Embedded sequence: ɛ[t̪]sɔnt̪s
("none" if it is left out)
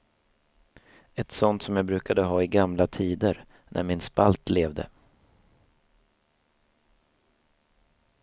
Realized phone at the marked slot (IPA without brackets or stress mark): t̪